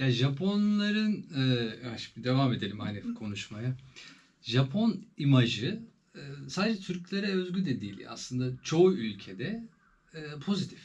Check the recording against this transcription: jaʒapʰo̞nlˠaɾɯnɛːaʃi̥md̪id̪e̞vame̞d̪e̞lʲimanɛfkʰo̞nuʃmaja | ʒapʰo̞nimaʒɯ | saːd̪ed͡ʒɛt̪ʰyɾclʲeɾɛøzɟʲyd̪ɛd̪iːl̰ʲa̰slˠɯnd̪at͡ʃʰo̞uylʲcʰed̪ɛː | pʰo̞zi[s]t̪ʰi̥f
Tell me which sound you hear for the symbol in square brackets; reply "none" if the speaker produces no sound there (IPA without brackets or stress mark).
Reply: none